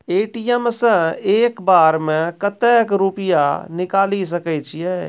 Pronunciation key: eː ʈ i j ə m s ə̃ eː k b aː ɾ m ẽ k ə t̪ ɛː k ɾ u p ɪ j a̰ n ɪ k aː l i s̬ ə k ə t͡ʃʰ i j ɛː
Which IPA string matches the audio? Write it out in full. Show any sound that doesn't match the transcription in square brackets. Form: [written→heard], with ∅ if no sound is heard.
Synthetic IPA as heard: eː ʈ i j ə m s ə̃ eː k b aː ɾ m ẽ k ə t̪ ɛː k ɾ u p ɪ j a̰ n ɪ k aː l i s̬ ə k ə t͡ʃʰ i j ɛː